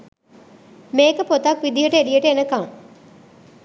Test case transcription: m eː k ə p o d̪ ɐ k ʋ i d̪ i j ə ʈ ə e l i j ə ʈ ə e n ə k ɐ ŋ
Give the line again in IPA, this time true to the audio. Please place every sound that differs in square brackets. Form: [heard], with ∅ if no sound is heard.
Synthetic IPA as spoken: m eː k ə p o [t̪] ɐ k ʋ i d̪ i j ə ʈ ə e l i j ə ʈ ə e n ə k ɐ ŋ